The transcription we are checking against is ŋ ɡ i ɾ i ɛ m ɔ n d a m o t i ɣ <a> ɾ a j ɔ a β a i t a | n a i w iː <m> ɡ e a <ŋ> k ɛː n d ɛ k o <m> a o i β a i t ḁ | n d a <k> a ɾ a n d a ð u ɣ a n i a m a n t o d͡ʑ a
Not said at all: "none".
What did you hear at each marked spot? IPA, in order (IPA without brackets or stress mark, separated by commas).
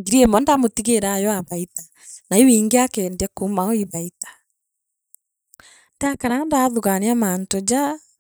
e, ŋ, none, m, k